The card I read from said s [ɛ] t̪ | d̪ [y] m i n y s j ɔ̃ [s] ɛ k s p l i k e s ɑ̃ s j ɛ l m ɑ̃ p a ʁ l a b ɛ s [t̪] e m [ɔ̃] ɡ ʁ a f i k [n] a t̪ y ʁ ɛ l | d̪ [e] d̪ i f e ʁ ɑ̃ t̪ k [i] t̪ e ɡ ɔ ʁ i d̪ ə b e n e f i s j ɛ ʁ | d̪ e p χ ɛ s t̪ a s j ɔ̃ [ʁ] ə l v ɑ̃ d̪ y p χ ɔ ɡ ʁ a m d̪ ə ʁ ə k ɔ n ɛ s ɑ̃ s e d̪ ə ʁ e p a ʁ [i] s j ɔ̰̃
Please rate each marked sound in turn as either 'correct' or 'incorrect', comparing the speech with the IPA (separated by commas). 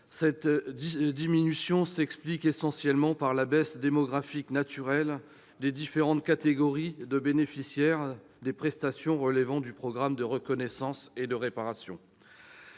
correct, incorrect, correct, incorrect, incorrect, correct, correct, incorrect, correct, incorrect